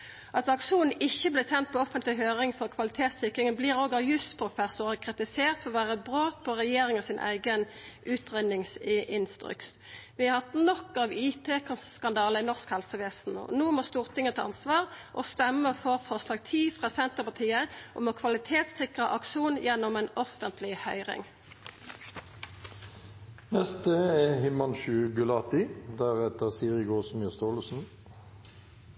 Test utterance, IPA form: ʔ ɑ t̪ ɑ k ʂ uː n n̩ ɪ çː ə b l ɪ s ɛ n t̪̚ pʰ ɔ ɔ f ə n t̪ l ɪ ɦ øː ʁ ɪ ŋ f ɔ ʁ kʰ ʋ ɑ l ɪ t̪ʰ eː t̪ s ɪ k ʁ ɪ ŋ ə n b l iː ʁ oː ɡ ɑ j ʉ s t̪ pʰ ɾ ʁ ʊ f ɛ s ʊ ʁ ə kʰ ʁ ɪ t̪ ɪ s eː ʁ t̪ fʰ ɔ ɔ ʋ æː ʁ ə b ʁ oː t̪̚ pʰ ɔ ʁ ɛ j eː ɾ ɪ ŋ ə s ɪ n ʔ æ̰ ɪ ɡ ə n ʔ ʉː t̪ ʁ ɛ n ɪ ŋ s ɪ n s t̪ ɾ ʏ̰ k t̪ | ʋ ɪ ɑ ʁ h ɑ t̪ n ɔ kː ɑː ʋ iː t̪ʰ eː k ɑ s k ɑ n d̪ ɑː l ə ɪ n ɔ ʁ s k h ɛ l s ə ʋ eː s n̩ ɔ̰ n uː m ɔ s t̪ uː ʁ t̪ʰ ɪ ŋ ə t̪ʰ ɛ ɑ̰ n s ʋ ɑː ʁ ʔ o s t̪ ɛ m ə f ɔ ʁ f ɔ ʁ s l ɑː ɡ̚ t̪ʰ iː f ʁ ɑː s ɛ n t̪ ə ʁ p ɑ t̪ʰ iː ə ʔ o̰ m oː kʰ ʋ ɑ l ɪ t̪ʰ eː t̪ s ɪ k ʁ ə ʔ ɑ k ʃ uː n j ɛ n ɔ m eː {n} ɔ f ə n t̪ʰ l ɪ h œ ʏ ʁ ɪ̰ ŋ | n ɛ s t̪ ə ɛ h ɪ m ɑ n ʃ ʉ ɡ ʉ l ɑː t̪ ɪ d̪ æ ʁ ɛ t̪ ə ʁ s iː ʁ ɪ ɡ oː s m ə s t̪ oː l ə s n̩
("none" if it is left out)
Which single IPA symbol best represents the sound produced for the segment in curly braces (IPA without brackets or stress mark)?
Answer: n